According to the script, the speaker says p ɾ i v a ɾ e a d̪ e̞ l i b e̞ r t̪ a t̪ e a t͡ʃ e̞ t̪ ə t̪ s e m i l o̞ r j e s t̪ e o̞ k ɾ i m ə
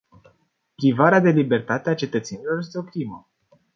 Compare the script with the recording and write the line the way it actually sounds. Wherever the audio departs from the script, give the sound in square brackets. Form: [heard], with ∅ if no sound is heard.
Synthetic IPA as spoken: p ɾ i v a ɾ e a d̪ e̞ l i b e̞ r t̪ a t̪ e a t͡ʃ e̞ t̪ ə t̪ s e [n] i l o̞ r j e s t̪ e o̞ k ɾ i m ə

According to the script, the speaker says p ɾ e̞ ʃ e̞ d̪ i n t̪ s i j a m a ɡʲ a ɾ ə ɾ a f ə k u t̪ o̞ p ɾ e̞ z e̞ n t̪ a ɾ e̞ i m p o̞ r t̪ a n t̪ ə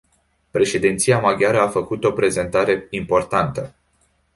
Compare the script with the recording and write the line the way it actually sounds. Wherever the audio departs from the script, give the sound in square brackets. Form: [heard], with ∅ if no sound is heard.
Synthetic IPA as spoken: p ɾ e̞ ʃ e̞ d̪ i n t̪ s i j a m a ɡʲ a ɾ ə [∅] a f ə k u t̪ o̞ p ɾ e̞ z e̞ n t̪ a ɾ e̞ i m p o̞ r t̪ a n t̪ ə

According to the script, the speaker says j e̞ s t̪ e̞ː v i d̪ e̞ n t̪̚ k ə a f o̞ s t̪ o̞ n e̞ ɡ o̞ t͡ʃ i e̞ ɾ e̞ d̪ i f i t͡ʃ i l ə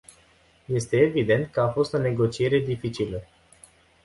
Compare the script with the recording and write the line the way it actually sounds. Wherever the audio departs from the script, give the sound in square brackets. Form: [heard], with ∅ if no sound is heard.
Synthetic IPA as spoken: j e̞ s t̪ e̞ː v i d̪ e̞ n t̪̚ k ə a f o̞ s t̪ o̞ n e̞ ɡ o̞ t͡ʃ i e̞ ɾ e̞ d̪ i f i t͡ʃ i l ə

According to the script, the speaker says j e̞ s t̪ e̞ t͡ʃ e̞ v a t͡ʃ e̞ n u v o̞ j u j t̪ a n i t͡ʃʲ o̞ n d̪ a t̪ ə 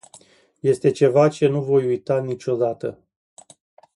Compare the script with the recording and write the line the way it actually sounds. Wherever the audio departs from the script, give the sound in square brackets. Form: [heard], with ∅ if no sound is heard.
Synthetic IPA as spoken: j e̞ s t̪ e̞ t͡ʃ e̞ v a t͡ʃ e̞ n u v o̞ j u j t̪ a n i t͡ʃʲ o̞ [∅] d̪ a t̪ ə

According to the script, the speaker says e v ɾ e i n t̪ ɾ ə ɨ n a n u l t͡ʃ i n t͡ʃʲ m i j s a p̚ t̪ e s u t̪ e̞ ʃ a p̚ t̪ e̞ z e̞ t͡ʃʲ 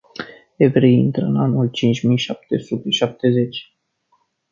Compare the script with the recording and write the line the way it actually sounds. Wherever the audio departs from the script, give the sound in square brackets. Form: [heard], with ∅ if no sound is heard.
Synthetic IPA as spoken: e v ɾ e i n t̪ ɾ ə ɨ n a n u l t͡ʃ i n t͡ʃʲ m i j [ʃ] a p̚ t̪ e s u t̪ e̞ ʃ a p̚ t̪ e̞ z e̞ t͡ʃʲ

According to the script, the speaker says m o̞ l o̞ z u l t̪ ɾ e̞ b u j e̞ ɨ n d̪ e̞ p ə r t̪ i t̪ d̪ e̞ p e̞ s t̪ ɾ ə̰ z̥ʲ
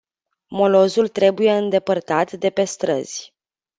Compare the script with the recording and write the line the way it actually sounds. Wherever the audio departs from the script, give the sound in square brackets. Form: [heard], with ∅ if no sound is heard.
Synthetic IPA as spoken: m o̞ l o̞ z u l t̪ ɾ e̞ b u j e̞ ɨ n d̪ e̞ p ə r t̪ [a] t̪ d̪ e̞ p e̞ s t̪ ɾ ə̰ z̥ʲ

